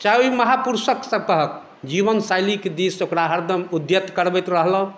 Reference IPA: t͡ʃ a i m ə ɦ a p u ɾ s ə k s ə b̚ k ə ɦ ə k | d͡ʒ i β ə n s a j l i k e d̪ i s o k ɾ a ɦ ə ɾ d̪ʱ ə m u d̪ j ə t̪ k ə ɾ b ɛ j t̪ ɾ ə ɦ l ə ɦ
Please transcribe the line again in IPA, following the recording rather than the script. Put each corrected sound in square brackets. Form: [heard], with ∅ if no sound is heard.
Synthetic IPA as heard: t͡ʃ a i m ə ɦ a p u ɾ s ə k s ə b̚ k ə ɦ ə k | d͡ʒ i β ə n s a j l i k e d̪ i s o k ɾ a ɦ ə ɾ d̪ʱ ə m u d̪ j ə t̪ k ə ɾ b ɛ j t̪ ɾ ə ɦ l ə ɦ